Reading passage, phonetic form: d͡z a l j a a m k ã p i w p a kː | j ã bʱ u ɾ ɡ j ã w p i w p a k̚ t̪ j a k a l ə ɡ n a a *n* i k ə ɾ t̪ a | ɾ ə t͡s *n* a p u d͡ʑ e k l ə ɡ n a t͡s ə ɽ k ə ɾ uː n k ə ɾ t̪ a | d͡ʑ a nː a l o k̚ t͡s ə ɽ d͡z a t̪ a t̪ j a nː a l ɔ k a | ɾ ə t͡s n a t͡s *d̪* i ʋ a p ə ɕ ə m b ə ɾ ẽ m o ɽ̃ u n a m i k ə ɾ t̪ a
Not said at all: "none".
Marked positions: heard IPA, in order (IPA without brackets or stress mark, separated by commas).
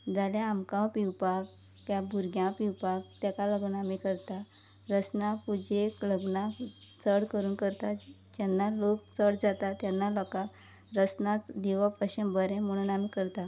m, n, d̪